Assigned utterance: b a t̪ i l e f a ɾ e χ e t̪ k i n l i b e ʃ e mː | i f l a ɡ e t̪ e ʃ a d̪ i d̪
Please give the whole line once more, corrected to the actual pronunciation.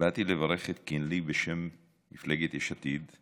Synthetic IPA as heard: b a t̪ i l e v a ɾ e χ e t̪ k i n l i b e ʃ e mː | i f l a ɡ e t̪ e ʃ a t̪ i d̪